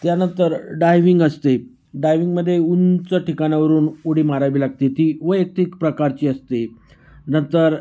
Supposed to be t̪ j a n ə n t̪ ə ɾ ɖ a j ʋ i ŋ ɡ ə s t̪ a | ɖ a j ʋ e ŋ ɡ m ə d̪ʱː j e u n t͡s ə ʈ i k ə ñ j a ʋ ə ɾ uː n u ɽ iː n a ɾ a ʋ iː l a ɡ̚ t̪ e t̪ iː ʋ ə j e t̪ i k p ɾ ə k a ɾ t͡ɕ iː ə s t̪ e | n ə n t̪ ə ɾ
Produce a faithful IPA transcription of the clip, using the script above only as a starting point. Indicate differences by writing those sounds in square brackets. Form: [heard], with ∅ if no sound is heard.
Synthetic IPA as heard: t̪ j a n ə n t̪ ə ɾ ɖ a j ʋ i ŋ ɡ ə s t̪ [e] | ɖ a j ʋ [i] ŋ ɡ m ə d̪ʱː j e u n t͡s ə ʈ i k [a] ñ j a ʋ ə ɾ uː n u ɽ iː [m] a ɾ a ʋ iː l a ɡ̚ t̪ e t̪ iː ʋ ə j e t̪ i k p ɾ ə k a ɾ t͡ɕ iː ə s t̪ e | n ə n t̪ ə ɾ